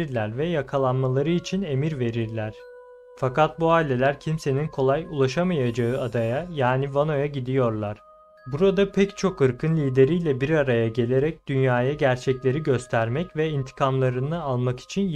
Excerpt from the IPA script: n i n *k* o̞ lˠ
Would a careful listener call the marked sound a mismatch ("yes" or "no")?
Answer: yes